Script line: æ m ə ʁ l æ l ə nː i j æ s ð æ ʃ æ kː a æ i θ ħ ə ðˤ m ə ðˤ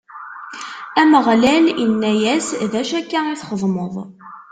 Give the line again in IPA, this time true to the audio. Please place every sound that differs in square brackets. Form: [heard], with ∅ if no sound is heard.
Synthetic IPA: æ m ə ʁ l æ l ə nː [æ] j æ s ð æ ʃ æ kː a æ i θ [χ] ə ðˤ m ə ðˤ